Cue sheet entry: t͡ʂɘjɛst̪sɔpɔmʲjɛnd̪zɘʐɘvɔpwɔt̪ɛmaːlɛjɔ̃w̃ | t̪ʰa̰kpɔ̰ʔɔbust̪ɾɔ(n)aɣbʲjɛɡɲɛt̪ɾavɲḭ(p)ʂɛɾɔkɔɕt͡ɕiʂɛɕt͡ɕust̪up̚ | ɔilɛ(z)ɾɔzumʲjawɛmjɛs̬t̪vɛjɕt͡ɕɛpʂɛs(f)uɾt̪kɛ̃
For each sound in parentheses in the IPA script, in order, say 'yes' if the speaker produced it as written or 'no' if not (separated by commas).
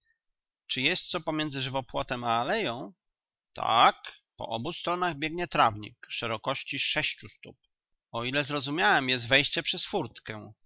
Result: yes, no, yes, yes